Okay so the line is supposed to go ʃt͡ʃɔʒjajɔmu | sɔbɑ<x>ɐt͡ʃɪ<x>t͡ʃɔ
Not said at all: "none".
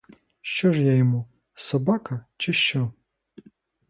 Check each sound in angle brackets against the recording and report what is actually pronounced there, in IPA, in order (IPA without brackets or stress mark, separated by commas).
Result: k, ʃ